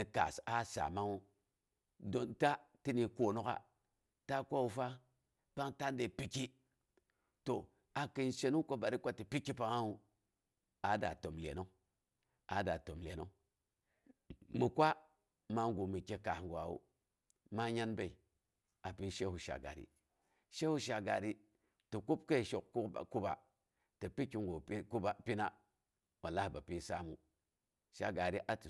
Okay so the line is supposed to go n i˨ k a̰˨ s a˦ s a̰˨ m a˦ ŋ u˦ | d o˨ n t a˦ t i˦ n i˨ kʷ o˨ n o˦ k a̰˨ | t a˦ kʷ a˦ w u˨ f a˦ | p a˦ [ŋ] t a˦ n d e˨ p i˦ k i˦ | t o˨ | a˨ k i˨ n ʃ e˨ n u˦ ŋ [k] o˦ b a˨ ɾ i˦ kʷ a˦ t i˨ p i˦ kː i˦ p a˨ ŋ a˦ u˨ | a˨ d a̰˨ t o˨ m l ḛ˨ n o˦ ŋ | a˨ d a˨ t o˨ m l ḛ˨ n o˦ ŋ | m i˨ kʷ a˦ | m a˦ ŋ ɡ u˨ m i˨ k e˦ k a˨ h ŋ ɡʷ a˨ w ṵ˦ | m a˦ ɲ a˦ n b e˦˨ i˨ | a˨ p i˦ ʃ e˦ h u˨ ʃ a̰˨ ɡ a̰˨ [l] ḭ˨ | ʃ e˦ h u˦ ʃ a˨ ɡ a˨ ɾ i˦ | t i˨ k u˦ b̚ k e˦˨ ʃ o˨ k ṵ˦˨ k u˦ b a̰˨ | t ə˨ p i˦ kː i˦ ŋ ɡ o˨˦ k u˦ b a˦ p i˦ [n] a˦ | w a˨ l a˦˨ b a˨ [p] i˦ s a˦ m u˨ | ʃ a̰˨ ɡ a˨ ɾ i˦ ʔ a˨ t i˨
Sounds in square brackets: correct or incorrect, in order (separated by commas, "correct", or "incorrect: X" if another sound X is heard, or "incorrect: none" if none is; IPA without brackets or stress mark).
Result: correct, correct, incorrect: ɾ, correct, correct